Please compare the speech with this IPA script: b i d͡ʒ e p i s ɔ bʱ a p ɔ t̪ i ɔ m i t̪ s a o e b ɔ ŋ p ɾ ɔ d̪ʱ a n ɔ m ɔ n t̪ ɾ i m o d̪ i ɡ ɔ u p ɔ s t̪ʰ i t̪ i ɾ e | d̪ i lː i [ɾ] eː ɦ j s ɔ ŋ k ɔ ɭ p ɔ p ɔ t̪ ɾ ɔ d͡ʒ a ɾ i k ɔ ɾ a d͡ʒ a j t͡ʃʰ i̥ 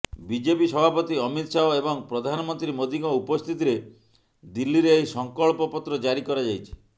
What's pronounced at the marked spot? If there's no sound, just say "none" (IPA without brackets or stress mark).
ɾ